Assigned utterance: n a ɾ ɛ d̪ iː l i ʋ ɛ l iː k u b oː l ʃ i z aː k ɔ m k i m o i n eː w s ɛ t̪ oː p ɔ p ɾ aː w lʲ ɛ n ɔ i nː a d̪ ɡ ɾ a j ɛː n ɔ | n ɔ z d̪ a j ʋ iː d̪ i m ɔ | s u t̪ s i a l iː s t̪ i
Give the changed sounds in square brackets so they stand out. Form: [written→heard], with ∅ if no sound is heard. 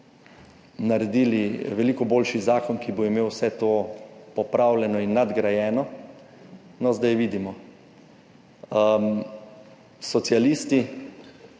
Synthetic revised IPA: n a ɾ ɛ d̪ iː l i ʋ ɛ l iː k [u→ɔ] b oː l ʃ i z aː k ɔ [m→n] k i [m→b] o i [n→m] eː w s ɛ t̪ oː p ɔ p ɾ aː w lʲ ɛ n ɔ i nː a d̪ ɡ ɾ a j ɛː n ɔ | n ɔ z d̪ a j ʋ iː d̪ i m ɔ | s [u→ɔ] t̪ s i a l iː s t̪ i